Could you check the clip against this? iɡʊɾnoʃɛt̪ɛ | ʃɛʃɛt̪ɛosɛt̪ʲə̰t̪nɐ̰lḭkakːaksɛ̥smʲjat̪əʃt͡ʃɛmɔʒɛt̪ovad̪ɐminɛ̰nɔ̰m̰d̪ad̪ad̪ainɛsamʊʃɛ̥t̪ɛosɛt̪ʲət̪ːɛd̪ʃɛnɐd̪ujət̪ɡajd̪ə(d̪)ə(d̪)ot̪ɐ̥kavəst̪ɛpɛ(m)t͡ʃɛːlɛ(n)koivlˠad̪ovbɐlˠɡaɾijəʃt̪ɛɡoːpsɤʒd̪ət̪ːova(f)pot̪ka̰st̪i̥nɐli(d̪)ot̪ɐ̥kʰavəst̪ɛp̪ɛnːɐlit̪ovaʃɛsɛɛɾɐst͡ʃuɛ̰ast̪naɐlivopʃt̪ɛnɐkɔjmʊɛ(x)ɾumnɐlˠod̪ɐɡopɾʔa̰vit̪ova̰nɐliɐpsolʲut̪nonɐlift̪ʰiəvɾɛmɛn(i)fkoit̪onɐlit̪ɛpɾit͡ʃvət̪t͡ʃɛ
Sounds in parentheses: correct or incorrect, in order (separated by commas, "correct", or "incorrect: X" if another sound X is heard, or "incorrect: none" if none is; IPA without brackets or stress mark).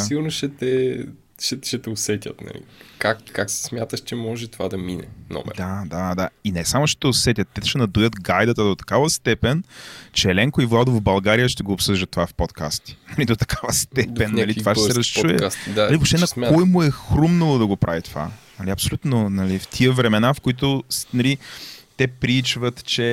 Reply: incorrect: t̪, correct, incorrect: n, incorrect: ŋ, correct, correct, correct, incorrect: a